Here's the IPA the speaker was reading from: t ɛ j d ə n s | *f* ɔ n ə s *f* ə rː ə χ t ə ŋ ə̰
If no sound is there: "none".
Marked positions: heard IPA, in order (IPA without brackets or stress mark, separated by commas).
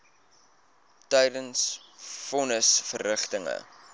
f, f